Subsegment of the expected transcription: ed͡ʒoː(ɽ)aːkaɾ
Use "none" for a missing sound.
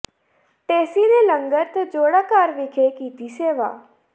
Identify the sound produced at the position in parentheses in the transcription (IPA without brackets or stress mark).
ɽ